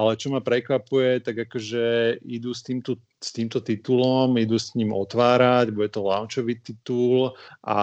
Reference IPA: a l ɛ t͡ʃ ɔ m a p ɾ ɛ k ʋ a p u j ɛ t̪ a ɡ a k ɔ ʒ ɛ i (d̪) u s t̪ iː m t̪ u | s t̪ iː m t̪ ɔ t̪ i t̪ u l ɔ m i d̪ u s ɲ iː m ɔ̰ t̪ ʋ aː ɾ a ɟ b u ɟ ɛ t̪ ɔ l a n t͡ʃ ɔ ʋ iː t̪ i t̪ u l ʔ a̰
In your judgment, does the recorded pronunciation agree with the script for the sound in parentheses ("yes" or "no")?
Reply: yes